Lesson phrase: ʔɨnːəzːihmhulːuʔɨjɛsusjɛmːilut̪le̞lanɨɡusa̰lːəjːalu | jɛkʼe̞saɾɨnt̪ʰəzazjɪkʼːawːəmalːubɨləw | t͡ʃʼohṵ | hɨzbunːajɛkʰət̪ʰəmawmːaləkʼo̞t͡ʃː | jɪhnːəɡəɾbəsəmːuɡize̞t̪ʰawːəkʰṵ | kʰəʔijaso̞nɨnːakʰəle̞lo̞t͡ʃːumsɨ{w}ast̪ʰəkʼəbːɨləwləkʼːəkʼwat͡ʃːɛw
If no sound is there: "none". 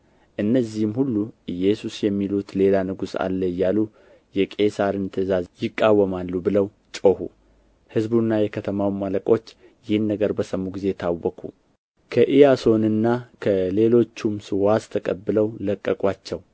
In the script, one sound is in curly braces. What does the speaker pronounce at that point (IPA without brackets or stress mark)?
w